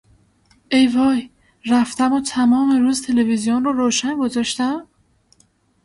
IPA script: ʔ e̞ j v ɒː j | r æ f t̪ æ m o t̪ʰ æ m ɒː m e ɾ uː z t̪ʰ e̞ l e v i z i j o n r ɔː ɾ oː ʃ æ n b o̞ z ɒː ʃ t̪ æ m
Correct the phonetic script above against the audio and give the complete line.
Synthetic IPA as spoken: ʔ e̞ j v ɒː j | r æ f t̪ æ m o t̪ʰ æ m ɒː m e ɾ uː z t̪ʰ e̞ l e v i z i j o n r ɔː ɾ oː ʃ æ n ɡ o̞ z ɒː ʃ t̪ æ m

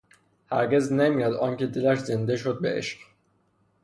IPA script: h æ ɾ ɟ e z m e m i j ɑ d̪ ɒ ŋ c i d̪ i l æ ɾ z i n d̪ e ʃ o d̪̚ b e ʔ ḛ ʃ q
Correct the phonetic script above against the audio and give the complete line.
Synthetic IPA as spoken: h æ ɾ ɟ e z n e m i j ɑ d̪ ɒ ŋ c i d̪ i l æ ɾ z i n d̪ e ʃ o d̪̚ b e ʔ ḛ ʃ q

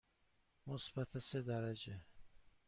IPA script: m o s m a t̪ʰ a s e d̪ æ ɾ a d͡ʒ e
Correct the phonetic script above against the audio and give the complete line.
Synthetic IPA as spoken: m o s b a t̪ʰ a s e d̪ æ ɾ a d͡ʒ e

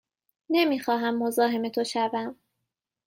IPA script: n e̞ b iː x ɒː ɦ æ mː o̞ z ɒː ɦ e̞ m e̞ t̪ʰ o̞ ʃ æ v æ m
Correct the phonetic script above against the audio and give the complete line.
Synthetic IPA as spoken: n e̞ m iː x ɒː ɦ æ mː o̞ z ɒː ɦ e̞ m e̞ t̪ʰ o̞ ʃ æ v æ m

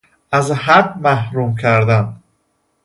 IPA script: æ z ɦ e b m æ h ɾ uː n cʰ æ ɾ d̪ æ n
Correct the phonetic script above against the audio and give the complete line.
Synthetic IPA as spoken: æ z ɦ æ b m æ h ɾ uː m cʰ æ ɾ d̪ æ n

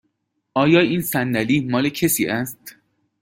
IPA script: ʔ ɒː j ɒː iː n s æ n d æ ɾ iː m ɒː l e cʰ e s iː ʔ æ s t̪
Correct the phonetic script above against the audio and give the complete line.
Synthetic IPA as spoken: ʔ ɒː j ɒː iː n s æ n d æ l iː m ɒː l e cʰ e s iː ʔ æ s t̪

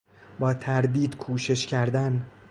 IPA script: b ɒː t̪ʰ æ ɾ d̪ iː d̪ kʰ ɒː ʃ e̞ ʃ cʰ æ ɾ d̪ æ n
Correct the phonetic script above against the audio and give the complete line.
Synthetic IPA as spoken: b ɒː t̪ʰ æ ɾ d̪ iː d̪ kʰ uː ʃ e̞ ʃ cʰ æ ɾ d̪ æ n

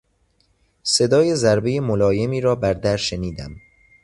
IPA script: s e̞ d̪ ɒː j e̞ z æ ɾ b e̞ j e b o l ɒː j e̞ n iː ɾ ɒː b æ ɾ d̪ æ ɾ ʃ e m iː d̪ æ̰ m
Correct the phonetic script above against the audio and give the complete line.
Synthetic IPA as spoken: s e̞ d̪ ɒː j e̞ z æ ɾ b e̞ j e m o l ɒː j e̞ m iː ɾ ɒː b æ ɾ d̪ æ ɾ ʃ e n iː d̪ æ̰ m

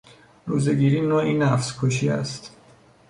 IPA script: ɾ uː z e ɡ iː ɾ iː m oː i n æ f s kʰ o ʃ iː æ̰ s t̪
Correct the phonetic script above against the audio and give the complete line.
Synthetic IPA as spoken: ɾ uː z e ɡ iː ɾ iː n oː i n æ f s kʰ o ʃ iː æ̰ s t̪

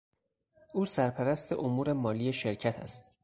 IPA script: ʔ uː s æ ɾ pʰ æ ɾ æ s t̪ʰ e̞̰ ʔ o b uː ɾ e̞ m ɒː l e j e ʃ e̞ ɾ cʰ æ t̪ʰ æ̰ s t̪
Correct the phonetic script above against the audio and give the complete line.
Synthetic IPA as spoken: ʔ uː s æ ɾ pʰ æ ɾ æ s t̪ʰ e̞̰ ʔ o m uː ɾ e̞ m ɒː l i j e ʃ e̞ ɾ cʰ æ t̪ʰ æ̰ s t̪

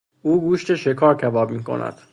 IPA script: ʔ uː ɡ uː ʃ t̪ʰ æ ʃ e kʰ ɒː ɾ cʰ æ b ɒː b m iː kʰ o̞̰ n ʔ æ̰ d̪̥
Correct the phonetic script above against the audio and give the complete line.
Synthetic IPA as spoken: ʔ uː ɡ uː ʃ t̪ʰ e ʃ e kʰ ɒː ɾ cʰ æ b ɒː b m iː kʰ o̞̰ n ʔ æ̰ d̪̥

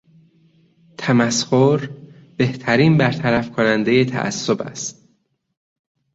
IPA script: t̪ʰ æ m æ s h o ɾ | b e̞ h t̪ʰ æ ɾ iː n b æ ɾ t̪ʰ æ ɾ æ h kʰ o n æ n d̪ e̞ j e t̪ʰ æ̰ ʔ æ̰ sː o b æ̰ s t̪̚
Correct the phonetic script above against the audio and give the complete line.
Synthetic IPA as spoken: t̪ʰ æ m æ s h o ɾ | b e̞ h t̪ʰ æ ɾ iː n b æ ɾ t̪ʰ æ ɾ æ f kʰ o n æ n d̪ e̞ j e t̪ʰ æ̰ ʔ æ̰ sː o b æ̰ s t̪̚

